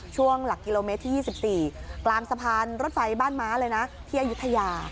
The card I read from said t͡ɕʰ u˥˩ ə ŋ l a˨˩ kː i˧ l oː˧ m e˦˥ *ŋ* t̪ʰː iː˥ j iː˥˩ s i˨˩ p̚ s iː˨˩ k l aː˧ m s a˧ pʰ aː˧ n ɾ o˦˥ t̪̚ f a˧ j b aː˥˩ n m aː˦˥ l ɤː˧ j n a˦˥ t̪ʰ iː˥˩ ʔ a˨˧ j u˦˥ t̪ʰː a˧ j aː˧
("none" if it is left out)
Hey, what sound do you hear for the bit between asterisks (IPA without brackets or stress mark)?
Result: none